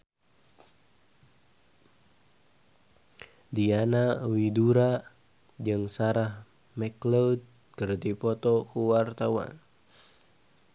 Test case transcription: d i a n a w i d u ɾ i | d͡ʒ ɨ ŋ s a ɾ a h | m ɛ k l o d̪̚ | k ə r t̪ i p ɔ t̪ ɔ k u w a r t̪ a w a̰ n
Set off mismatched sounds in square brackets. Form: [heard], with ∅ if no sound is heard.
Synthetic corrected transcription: d i a n a w i d u ɾ [a] | d͡ʒ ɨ ŋ s a ɾ a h | m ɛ k l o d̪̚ | k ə r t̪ i p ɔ t̪ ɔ k u w a r t̪ a w a̰ n